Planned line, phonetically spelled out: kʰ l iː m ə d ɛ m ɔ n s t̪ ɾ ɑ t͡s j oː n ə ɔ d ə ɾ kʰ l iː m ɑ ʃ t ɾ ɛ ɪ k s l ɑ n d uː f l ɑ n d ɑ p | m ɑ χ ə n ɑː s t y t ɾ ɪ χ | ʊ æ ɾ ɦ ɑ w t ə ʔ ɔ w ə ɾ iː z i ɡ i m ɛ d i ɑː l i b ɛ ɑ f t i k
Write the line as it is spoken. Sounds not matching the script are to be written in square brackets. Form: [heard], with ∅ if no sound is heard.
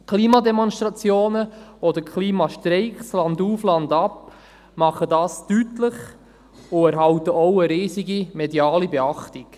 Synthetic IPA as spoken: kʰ l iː m [ɑ] d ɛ m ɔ n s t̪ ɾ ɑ t͡s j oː n ə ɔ d ə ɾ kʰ l iː m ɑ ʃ t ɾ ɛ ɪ k s l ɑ n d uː f l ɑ n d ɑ p | m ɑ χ ə [d] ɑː s t y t [l] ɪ χ | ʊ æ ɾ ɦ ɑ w t ə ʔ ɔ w ə ɾ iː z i ɡ i m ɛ d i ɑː l i b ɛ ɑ [χ] t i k